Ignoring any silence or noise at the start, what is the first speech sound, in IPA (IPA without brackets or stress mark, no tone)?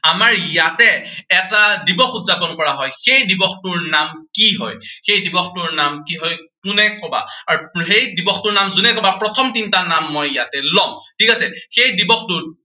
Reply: a